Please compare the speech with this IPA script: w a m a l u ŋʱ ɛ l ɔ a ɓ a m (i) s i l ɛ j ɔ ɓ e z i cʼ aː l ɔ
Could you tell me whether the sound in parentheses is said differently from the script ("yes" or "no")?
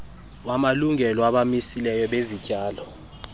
no